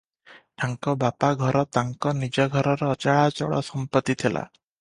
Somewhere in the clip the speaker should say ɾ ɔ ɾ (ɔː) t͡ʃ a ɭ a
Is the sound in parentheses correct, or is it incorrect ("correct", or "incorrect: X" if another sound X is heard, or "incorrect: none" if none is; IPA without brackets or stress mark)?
correct